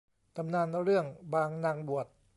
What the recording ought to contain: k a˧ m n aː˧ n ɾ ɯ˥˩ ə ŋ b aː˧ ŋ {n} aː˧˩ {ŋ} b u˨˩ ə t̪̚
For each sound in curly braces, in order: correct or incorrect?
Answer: correct, correct

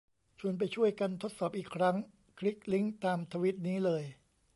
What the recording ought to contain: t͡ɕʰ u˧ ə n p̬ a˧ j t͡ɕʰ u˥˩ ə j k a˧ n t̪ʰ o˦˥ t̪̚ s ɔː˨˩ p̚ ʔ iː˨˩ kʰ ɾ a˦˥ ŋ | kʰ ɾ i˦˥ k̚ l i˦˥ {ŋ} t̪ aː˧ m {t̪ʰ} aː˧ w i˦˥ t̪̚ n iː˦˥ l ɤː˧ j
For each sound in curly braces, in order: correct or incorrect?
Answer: correct, correct

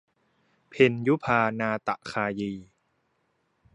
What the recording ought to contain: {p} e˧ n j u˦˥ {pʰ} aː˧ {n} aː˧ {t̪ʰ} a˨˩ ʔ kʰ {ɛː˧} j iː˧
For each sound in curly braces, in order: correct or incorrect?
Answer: incorrect: pʰ, correct, correct, incorrect: t̪, incorrect: aː˧

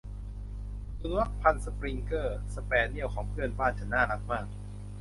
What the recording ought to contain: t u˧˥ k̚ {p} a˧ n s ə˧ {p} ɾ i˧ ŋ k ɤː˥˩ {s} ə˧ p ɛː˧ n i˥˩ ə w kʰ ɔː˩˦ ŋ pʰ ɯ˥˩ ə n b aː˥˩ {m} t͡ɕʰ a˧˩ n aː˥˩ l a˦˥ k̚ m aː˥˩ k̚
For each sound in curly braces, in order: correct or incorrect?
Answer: incorrect: pʰ, correct, correct, incorrect: n

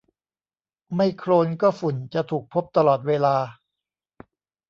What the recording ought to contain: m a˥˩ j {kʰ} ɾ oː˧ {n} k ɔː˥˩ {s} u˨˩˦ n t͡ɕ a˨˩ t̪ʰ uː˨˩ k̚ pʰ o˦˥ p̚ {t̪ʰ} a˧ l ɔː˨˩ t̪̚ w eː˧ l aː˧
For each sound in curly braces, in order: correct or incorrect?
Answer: correct, correct, incorrect: f, incorrect: t̪

